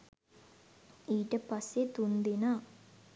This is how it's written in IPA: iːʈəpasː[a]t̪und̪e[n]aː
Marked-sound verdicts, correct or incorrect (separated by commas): incorrect, correct